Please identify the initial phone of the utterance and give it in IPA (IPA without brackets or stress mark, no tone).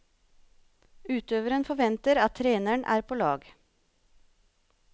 ʉː